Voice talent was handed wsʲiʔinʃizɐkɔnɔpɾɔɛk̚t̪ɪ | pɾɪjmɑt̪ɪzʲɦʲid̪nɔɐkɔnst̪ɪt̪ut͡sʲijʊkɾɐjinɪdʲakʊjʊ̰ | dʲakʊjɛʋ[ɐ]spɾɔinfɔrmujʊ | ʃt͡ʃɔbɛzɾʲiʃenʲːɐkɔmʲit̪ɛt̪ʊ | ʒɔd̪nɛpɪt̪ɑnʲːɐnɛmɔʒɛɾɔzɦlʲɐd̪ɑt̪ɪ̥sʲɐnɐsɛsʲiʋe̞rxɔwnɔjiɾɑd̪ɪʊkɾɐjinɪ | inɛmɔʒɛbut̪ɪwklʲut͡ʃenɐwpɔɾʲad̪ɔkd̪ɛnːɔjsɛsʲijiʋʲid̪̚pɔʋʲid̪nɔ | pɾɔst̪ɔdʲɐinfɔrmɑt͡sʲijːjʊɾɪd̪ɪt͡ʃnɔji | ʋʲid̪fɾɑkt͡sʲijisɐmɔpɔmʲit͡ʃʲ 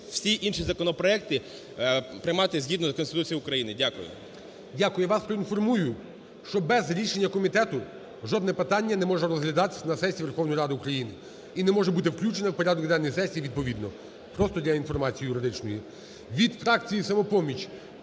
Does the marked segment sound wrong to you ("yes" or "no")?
yes